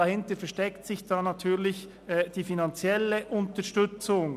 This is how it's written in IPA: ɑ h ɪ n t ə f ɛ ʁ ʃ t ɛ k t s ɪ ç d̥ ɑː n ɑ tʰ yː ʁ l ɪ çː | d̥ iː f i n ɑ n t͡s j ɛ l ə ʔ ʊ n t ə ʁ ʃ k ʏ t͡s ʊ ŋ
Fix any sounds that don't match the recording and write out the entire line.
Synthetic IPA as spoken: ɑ h ɪ n t ə f ɛ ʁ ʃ t ɛ k t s ɪ ç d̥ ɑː n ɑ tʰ yː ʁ l ɪ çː | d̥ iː f i n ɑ n t͡s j ɛ l ə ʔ ʊ n t ə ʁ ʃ t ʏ t͡s ʊ ŋ